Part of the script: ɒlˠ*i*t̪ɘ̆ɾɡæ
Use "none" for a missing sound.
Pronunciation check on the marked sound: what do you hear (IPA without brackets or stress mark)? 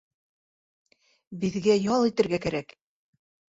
i